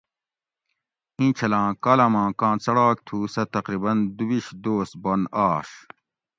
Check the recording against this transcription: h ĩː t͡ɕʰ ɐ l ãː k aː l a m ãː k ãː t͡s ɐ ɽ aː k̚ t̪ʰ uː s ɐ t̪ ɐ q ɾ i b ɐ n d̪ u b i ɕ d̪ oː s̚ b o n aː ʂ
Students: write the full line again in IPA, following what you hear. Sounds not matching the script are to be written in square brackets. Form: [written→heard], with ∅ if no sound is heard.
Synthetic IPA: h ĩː t͡ɕʰ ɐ l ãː k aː l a m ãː k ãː t͡s ɐ ɽ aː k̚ t̪ʰ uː s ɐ t̪ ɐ q ɾ i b ɐ n d̪ u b i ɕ d̪ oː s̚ b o n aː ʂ